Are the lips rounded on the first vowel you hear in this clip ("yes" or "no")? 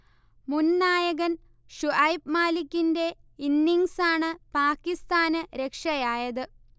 yes